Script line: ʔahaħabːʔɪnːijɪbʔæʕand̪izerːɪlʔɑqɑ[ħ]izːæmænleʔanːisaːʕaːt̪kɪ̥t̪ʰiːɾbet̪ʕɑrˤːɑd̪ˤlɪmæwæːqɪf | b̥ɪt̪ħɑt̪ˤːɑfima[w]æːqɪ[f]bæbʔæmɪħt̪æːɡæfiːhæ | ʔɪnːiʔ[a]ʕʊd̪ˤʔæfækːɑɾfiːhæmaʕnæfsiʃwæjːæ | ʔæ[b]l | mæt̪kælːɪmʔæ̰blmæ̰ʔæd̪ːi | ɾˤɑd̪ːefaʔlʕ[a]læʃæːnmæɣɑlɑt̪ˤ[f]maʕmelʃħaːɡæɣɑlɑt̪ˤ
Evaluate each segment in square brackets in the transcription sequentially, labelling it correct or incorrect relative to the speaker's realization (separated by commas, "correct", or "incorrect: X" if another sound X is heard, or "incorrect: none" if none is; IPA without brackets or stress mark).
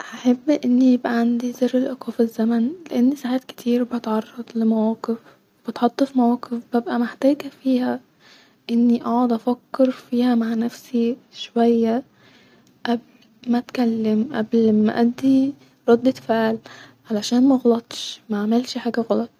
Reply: incorrect: f, correct, correct, incorrect: ɑ, correct, correct, incorrect: ʃ